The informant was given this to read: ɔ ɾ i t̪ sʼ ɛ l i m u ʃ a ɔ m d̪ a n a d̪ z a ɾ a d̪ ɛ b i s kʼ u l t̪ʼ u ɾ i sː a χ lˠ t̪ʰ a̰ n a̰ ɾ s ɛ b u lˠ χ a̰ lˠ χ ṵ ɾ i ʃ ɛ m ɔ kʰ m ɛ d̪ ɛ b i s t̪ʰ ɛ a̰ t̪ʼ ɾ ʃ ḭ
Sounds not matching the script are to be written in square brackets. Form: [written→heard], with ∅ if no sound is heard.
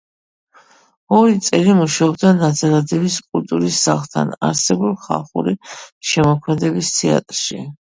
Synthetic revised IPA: ɔ ɾ i t̪ sʼ ɛ l i m u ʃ a ɔ [m→b] d̪ a n a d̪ z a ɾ a d̪ ɛ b i s kʼ u l t̪ʼ u ɾ i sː a χ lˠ t̪ʰ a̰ n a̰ ɾ s ɛ b u lˠ χ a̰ lˠ χ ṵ ɾ i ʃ ɛ m ɔ kʰ m ɛ d̪ ɛ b i s t̪ʰ ɛ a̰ t̪ʼ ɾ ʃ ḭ

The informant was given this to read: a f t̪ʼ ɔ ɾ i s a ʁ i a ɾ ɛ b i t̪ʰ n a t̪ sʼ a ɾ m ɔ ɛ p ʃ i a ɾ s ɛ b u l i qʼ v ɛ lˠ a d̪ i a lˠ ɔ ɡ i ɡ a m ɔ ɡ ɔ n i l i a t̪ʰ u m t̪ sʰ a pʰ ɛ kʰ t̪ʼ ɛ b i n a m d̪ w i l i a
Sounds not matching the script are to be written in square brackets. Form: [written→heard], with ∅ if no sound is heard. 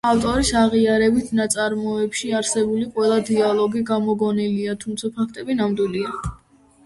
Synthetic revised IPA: a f t̪ʼ ɔ ɾ i s a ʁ i a ɾ ɛ b i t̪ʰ n a t̪ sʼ a ɾ m ɔ ɛ p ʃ i a ɾ s ɛ b u l i qʼ [v→w] ɛ lˠ a d̪ i a lˠ ɔ ɡ i ɡ a m ɔ ɡ ɔ n i l i a t̪ʰ u m t̪ sʰ a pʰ [ɛ→a] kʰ t̪ʼ ɛ b i n a m d̪ w i l i a

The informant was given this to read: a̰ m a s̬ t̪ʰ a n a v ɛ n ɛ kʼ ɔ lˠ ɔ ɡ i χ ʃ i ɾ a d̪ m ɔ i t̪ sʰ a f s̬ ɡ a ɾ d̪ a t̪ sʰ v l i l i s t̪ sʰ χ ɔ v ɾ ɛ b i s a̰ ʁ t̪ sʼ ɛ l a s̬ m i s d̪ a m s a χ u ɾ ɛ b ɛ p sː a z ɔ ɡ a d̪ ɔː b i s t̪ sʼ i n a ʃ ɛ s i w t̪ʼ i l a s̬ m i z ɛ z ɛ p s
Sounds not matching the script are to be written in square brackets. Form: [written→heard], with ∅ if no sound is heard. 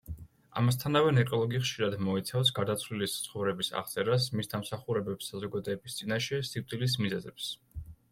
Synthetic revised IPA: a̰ m a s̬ t̪ʰ a n a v ɛ n ɛ kʼ ɔ lˠ ɔ ɡ i χ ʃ i ɾ a d̪ m ɔ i t̪ sʰ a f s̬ ɡ a ɾ d̪ a t̪ sʰ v l i l i s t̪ sʰ χ ɔ v ɾ ɛ b i s a̰ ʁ t̪ sʼ ɛ [l→ɾ] a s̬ m i s d̪ a m s a χ u ɾ ɛ b ɛ p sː a z ɔ ɡ a d̪ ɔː b i s t̪ sʼ i n a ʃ ɛ s i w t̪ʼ i l [a→i] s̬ m i z ɛ z ɛ p s

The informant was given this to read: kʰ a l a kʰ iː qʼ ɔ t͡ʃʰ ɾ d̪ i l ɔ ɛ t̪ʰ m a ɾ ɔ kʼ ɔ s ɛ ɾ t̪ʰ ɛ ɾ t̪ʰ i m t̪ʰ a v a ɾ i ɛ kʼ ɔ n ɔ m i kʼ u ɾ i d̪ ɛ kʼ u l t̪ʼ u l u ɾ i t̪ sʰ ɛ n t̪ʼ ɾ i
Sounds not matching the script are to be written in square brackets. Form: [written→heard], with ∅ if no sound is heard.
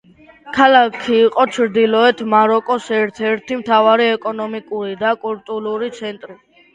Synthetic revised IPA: kʰ a l a kʰ iː qʼ ɔ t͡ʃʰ ɾ d̪ i l ɔ ɛ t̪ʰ m a ɾ ɔ kʼ ɔ s ɛ ɾ t̪ʰ ɛ ɾ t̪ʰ i m t̪ʰ a v a ɾ i ɛ kʼ ɔ n ɔ m i kʼ u ɾ i d̪ [ɛ→a] kʼ u l t̪ʼ u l u ɾ i t̪ sʰ ɛ n t̪ʼ ɾ i

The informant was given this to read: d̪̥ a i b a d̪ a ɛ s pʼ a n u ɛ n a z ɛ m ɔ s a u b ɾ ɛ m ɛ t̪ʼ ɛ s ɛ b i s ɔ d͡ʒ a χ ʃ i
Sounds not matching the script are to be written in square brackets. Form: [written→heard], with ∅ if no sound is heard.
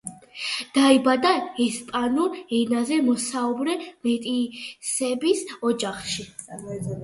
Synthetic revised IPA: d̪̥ a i b a d̪ a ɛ s pʼ a n u ɛ n a z ɛ m ɔ s a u b ɾ ɛ m ɛ t̪ʼ [ɛ→i] s ɛ b i s ɔ d͡ʒ a χ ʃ i

